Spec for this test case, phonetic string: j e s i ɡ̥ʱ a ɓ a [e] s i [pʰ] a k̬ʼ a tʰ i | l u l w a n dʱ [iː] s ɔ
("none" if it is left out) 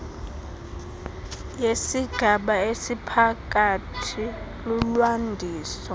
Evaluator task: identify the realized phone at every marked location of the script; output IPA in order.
e, pʰ, iː

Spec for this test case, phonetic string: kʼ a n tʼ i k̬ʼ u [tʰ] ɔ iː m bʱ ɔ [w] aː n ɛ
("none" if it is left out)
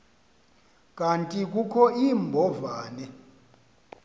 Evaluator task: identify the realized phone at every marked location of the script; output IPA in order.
kʰ, v

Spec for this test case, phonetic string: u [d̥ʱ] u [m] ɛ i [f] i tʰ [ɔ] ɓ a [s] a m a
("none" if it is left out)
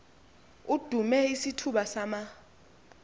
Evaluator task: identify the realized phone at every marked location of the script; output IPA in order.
d̥ʱ, m, s, u, s

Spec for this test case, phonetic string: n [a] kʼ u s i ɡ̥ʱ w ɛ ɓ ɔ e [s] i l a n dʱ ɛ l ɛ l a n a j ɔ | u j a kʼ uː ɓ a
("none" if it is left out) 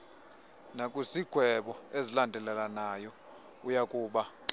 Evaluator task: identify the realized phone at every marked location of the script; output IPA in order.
a, z

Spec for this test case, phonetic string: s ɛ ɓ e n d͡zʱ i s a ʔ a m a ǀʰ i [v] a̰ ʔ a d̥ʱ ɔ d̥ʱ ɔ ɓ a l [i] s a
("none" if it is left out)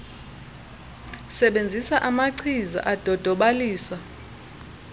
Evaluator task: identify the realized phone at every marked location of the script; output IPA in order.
z, iː

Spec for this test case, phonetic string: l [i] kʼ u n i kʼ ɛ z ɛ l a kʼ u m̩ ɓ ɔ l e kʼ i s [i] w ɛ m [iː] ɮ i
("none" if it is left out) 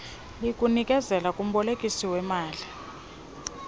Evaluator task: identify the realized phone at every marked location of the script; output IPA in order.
i, i, aː

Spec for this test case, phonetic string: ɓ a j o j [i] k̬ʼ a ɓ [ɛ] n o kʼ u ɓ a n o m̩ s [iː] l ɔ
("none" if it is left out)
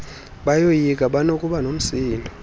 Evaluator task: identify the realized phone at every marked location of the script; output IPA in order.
i, a, iː

